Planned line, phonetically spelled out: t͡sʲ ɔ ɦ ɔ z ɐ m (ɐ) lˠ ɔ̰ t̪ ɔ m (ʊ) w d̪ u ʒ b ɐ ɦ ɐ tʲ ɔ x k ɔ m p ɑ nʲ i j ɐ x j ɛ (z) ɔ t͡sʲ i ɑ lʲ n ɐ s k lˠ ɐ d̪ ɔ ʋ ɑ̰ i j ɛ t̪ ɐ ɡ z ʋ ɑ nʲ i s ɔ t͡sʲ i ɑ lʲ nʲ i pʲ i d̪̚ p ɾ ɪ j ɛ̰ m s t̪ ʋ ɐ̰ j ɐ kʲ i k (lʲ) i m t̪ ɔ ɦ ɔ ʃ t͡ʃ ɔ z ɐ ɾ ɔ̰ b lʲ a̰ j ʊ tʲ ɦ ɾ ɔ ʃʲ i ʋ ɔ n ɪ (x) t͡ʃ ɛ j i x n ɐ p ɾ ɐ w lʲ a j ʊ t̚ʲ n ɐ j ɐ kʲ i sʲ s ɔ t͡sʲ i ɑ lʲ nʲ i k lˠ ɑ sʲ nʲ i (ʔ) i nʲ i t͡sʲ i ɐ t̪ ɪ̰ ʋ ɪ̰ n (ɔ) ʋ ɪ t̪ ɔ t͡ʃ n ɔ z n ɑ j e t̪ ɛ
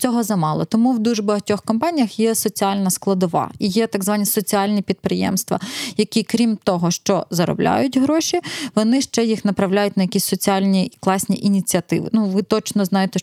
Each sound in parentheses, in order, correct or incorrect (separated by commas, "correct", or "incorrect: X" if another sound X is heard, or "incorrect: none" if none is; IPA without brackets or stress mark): incorrect: ɑ, incorrect: u, incorrect: s, incorrect: ɾʲ, incorrect: ʃ, correct, incorrect: u